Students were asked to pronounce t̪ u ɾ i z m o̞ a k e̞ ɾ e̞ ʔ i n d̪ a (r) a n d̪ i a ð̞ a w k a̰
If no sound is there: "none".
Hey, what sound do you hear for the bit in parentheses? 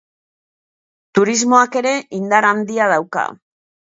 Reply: ɾ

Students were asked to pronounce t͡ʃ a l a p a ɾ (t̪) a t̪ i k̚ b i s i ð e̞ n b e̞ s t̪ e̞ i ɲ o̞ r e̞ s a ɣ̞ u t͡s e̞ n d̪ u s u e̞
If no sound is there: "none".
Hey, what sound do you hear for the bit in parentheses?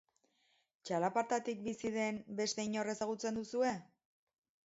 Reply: t̪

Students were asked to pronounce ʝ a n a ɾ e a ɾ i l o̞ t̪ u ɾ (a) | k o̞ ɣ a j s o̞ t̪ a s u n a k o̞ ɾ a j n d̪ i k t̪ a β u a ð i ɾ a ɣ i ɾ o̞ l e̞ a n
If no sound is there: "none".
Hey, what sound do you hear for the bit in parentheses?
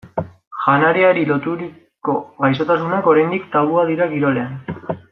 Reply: i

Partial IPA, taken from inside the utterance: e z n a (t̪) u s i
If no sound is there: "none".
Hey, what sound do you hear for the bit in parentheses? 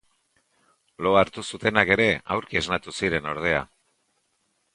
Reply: t̪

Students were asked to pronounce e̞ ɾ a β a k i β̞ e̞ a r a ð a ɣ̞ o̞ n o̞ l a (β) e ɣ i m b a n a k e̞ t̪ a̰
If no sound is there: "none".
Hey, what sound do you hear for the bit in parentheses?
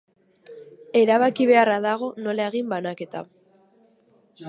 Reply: none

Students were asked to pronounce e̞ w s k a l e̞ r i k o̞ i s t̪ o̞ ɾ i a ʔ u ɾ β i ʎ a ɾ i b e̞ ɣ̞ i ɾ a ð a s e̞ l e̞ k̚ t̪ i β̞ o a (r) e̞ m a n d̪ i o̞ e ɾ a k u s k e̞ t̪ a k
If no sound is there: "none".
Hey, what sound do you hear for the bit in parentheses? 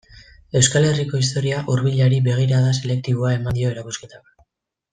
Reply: none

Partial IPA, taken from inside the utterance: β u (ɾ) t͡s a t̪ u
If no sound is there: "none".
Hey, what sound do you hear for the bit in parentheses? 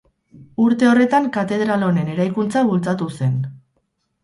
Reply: l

